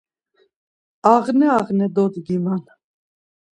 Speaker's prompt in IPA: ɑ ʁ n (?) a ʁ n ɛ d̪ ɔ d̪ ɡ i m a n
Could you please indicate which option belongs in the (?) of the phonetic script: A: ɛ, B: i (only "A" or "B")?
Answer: A